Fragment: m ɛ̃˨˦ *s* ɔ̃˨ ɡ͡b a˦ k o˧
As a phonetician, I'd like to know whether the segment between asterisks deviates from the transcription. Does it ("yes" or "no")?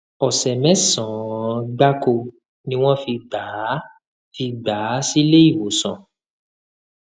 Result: no